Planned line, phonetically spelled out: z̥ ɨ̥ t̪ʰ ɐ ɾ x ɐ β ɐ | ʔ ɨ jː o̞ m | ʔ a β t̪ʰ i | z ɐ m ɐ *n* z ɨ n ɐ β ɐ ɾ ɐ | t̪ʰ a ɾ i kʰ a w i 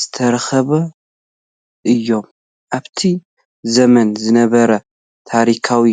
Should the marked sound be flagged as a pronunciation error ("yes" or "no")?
no